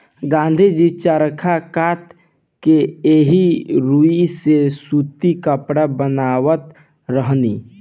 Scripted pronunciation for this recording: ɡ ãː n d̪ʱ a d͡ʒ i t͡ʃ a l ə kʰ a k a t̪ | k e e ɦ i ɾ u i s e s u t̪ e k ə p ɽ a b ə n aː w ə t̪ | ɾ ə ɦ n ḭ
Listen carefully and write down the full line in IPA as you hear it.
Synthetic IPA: ɡ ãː n d̪ʱ i d͡ʒ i t͡ʃ a ɾ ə kʰ a k a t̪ | k e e ɦ i ɾ u i s e s u t̪ i k ə p ɽ a b ə n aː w ə t̪ | ɾ ə ɦ n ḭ